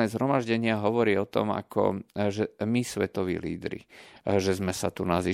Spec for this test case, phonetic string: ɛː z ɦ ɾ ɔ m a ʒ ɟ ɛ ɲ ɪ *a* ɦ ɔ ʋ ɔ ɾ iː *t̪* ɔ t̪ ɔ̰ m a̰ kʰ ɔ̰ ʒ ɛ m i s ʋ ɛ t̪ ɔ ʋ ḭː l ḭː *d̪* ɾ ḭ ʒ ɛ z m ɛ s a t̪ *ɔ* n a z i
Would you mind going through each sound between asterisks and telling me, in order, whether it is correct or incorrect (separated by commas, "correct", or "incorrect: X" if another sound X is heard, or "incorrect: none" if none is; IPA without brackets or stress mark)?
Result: correct, incorrect: none, correct, incorrect: u